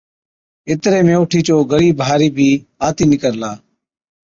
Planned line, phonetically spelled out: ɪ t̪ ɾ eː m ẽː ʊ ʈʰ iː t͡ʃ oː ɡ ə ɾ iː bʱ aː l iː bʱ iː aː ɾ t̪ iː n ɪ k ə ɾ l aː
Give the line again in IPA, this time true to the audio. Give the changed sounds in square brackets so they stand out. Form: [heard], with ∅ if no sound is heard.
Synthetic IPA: ɪ t̪ ɾ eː m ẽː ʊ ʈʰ iː t͡ʃ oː ɡ ə ɾ iː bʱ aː [ɾ] iː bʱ iː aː [∅] t̪ iː n ɪ k ə ɾ l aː